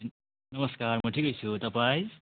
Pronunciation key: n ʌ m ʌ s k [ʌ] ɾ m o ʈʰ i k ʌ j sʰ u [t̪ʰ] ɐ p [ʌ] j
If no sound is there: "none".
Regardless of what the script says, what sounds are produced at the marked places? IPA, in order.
a, t̪, a

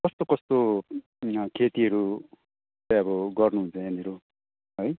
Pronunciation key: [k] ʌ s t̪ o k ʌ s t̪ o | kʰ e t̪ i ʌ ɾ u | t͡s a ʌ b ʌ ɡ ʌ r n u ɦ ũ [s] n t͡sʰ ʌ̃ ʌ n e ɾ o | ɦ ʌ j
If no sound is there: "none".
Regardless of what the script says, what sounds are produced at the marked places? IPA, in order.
k, none

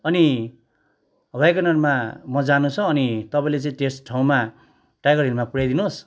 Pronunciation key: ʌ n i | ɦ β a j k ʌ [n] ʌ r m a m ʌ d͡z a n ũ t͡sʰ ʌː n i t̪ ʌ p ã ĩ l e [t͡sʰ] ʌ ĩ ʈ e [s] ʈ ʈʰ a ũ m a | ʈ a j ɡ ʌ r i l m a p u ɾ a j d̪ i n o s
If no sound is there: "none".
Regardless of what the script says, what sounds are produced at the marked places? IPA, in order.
n, t͡s, s

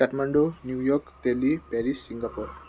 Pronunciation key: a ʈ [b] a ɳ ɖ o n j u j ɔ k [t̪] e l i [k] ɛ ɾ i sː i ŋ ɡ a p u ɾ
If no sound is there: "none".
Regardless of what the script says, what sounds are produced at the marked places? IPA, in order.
m, t̪, p

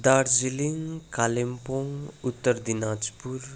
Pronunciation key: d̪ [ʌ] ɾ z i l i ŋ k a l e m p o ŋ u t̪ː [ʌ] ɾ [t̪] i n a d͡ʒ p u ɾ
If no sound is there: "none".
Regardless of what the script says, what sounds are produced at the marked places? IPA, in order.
a, ə, d̪

